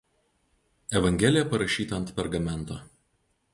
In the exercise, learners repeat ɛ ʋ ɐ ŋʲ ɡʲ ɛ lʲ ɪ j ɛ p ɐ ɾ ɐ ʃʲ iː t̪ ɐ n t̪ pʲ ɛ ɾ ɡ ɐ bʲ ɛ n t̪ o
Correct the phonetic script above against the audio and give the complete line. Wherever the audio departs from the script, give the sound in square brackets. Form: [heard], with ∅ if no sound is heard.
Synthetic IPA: ɛ ʋ ɐ ŋʲ ɡʲ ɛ lʲ ɪ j ɛ p ɐ ɾ ɐ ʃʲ iː t̪ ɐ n t̪ pʲ ɛ ɾ ɡ ɐ [mʲ] ɛ n t̪ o